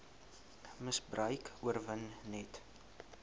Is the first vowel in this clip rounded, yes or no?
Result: no